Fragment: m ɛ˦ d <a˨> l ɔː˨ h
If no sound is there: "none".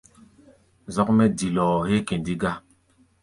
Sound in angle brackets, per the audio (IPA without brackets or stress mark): i˨